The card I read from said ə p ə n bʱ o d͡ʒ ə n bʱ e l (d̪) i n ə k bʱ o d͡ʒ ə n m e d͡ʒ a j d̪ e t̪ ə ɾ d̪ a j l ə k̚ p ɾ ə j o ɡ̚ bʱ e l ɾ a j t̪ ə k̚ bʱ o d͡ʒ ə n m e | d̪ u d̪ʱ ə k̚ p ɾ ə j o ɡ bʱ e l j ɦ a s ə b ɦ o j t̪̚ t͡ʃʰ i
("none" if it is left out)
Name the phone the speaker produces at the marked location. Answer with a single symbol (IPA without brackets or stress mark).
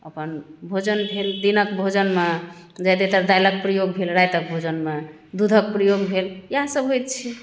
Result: d̪